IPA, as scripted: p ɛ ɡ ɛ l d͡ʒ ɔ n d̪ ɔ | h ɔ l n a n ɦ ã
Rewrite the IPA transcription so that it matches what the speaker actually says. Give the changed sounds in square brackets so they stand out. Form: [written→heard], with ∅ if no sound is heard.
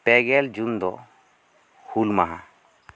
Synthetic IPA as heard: p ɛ ɡ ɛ l d͡ʒ [ɔ→u] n d̪ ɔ | h [ɔ→u] l [n→m] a [n→∅] ɦ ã

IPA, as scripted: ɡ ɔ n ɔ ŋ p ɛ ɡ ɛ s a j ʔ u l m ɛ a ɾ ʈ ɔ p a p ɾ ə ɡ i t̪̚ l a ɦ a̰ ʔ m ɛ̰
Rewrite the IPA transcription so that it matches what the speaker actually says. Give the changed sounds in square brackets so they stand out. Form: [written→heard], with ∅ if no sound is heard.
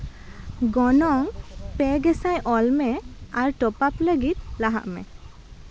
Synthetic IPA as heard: ɡ ɔ n ɔ ŋ p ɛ ɡ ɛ s a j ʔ [u→ɔ] l m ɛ a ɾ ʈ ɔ p a p [ɾ→l] ə ɡ i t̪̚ l a ɦ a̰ ʔ m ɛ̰

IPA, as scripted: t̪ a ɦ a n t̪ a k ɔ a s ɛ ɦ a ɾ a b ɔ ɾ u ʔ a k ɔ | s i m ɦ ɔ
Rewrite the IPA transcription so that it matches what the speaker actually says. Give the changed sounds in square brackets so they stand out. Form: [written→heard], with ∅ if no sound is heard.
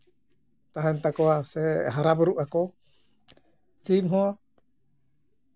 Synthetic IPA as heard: t̪ a ɦ [a→ɛ] n t̪ a k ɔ a s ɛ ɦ a ɾ a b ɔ ɾ u ʔ a k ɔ | s i m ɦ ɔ

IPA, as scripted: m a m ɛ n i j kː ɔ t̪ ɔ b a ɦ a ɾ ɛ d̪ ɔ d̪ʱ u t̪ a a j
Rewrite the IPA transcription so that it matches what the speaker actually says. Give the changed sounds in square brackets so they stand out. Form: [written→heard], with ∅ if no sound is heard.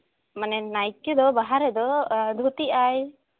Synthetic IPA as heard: m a [m→n] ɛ n [i→a] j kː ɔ [t̪→d̪] ɔ b a ɦ a ɾ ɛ d̪ ɔ d̪ʱ u t̪ [a→i] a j

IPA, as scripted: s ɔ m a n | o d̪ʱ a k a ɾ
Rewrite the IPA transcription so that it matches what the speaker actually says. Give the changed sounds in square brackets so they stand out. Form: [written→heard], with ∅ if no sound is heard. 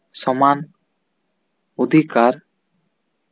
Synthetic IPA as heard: s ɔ m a n | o d̪ʱ [a→i] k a ɾ

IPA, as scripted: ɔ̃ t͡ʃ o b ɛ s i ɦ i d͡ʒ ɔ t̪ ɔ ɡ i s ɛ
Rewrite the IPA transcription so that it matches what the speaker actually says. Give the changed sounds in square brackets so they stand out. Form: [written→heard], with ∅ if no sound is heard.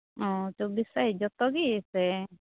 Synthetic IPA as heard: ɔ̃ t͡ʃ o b [ɛ→i] s [i→a] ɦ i d͡ʒ ɔ t̪ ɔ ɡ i s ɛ

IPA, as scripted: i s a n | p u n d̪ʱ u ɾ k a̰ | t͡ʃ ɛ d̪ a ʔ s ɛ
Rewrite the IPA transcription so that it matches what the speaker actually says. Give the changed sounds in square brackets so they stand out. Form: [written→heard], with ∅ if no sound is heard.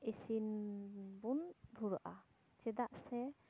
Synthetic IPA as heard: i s [a→i] n | [p→b] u n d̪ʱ u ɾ [k→ʔ] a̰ | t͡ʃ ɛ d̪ a ʔ s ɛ

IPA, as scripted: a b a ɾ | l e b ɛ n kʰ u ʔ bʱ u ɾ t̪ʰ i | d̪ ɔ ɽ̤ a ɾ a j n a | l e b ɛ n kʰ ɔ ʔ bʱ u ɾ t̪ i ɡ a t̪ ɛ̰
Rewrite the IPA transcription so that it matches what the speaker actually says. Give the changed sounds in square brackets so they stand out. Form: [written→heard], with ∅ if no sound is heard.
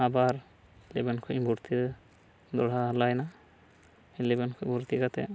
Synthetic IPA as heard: a b a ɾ | l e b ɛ n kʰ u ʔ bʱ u ɾ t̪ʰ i | d̪ ɔ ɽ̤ a [ɾ→l] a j n a | l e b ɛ n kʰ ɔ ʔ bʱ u ɾ t̪ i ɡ a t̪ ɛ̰

